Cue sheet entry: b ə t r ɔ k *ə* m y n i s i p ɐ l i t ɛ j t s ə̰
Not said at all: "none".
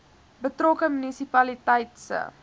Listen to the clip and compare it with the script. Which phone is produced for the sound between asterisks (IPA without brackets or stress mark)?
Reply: ə